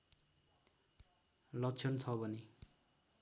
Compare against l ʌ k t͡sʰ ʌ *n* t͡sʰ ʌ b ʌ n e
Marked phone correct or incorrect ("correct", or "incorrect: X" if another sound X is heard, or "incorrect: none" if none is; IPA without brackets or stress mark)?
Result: correct